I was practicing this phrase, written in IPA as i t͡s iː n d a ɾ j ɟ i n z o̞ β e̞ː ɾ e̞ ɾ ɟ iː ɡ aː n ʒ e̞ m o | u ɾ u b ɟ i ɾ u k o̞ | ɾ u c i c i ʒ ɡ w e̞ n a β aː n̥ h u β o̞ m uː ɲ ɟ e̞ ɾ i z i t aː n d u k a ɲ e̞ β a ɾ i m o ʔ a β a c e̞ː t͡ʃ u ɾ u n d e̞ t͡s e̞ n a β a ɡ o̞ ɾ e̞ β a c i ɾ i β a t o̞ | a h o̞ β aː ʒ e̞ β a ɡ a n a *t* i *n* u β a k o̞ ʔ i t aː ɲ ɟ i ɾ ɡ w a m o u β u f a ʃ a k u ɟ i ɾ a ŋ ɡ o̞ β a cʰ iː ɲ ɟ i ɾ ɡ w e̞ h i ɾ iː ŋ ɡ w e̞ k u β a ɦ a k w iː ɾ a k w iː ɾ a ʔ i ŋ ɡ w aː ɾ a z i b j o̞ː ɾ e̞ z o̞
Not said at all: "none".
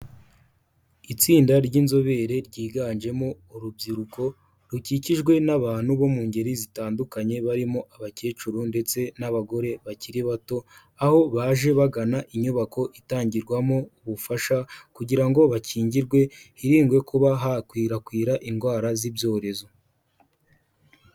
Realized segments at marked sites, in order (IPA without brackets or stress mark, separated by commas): ʔ, ɲ